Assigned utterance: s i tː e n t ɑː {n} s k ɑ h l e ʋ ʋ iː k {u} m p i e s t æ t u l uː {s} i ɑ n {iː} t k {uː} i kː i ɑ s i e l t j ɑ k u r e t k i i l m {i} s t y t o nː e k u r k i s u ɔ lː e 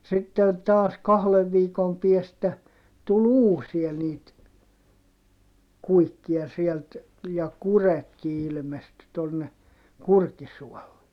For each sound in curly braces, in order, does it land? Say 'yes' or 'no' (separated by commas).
no, no, yes, yes, no, no